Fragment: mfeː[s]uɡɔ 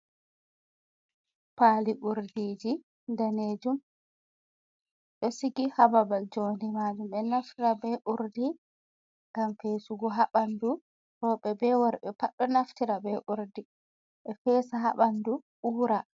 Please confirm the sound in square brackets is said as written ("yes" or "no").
yes